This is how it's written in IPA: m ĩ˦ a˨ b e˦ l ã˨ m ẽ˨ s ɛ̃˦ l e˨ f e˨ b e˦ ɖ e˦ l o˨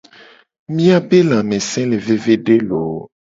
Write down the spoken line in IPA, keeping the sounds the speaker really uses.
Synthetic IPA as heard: m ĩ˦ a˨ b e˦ l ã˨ m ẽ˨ s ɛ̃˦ l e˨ v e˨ v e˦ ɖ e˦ l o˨